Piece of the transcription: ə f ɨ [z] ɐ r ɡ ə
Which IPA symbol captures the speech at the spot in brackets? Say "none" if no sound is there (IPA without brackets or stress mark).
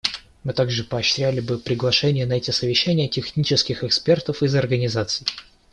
z